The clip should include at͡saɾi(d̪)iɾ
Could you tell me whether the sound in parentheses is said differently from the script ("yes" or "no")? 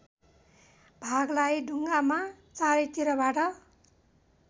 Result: yes